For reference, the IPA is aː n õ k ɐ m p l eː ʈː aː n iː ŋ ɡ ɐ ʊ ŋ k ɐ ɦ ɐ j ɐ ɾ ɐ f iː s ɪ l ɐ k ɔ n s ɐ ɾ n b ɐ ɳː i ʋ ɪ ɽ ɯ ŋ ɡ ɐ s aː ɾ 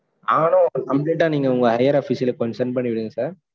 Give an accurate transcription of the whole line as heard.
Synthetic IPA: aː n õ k ɐ m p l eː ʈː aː n iː ŋ ɡ ɐ ʊ ŋ ɡ ɐ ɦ ɐ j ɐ ɾ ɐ f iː s ɪ l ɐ k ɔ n s ɐ ɾ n p ɐ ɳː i ʋ ɪ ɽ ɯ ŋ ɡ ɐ s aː ɾ